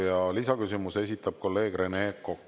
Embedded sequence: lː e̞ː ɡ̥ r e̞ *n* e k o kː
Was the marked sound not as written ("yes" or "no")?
no